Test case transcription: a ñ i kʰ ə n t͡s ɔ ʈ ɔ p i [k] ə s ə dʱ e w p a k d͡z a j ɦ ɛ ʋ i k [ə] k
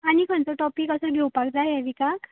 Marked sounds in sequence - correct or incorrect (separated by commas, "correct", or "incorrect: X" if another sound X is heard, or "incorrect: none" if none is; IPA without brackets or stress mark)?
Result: correct, incorrect: a